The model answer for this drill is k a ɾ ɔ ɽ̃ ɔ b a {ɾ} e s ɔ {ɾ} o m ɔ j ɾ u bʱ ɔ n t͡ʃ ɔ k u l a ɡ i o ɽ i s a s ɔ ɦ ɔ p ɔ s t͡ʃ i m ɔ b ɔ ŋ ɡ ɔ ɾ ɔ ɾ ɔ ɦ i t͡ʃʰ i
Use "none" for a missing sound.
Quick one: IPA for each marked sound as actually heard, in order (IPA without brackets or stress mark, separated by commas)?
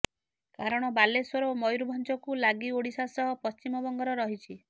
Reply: l, ɾ